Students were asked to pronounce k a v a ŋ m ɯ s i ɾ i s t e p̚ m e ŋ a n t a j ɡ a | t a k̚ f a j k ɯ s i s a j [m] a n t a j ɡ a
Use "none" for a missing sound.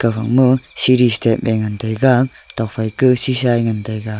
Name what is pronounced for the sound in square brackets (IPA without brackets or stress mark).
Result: ŋ